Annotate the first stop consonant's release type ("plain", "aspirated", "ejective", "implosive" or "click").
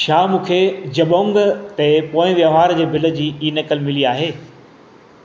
aspirated